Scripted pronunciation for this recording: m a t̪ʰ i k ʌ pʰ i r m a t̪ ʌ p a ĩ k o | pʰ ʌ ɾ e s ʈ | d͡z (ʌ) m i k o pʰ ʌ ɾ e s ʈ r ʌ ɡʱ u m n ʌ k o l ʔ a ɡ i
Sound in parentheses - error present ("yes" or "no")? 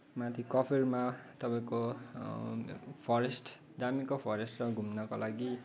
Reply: yes